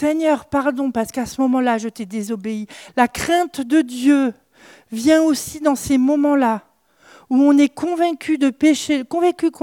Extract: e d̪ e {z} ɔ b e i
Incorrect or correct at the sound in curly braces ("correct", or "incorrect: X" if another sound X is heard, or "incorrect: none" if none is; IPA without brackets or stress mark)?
correct